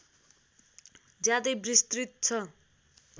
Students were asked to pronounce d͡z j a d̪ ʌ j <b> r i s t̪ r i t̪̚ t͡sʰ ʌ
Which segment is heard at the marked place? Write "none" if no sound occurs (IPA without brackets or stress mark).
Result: b